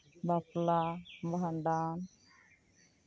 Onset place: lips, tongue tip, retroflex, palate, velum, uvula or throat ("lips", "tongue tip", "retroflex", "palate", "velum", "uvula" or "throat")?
lips